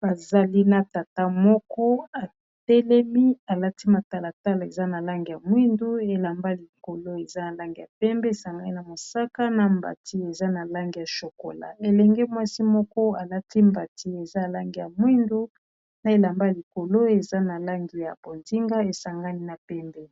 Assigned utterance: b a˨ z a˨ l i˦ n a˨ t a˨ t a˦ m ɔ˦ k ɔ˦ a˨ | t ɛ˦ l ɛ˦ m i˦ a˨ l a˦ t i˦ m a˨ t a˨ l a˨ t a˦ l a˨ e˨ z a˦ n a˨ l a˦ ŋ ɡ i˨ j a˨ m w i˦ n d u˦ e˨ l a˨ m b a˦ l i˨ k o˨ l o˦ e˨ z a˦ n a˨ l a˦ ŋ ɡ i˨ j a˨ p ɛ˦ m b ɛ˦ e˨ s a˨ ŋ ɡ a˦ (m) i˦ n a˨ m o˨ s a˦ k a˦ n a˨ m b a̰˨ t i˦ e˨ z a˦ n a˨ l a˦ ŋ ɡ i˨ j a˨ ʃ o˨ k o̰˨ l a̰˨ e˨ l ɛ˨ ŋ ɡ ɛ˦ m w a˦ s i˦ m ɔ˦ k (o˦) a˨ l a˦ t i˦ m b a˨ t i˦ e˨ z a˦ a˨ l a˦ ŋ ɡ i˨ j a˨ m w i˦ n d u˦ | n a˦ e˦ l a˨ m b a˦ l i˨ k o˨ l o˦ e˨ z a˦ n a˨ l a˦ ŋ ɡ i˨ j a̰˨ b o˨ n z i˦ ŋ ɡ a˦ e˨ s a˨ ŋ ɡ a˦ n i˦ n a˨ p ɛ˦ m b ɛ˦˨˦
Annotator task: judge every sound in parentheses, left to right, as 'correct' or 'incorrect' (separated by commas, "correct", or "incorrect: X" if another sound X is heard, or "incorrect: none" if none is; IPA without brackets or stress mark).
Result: incorrect: n, incorrect: ɔ˦